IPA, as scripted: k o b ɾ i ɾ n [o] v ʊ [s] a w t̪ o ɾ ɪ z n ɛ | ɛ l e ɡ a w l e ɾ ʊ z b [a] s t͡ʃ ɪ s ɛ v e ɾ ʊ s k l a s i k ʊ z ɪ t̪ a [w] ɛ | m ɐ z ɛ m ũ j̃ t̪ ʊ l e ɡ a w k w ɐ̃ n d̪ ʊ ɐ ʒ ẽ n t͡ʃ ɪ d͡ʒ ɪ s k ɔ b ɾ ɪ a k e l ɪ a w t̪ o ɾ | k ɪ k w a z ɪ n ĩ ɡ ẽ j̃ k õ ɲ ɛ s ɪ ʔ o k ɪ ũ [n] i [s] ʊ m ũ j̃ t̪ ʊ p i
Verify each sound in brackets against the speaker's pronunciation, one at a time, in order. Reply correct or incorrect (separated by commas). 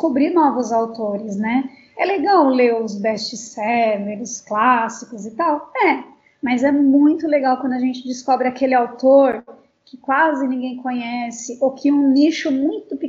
incorrect, incorrect, incorrect, correct, correct, incorrect